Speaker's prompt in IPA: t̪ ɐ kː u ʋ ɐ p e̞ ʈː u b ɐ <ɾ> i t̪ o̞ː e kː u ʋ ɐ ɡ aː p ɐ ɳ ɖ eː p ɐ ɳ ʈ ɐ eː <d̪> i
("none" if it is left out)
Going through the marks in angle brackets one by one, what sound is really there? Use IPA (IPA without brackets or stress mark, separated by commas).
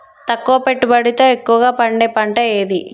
ɽ, d̪